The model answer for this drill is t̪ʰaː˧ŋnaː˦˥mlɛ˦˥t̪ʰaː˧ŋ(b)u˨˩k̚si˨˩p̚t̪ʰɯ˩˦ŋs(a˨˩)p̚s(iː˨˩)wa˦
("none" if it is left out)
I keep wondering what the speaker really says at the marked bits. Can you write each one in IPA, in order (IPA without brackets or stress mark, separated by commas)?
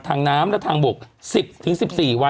b, i˨˩, iː˨˩